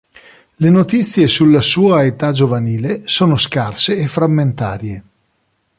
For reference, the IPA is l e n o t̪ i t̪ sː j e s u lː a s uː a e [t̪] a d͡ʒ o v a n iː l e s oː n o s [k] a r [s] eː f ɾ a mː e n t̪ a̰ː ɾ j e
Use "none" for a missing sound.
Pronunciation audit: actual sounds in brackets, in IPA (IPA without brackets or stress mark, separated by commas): t̪, k, s